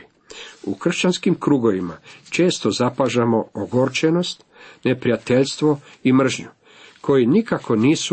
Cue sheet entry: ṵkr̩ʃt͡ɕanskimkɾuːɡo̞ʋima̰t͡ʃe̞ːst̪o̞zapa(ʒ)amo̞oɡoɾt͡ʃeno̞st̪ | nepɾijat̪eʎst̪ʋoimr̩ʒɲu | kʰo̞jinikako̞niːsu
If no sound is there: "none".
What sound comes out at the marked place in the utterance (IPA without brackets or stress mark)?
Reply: ʒ